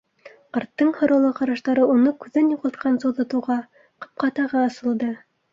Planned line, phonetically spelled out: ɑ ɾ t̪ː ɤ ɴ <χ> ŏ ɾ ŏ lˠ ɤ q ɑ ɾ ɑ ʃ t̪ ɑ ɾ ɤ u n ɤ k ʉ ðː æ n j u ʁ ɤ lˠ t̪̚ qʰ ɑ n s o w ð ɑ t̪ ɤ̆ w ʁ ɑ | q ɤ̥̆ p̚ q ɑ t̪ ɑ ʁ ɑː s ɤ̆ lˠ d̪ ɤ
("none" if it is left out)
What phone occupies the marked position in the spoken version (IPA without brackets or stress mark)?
h